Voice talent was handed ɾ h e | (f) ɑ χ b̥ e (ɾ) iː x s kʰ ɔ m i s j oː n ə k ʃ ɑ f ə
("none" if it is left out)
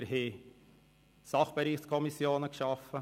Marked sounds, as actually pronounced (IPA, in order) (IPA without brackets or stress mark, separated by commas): s, ɾ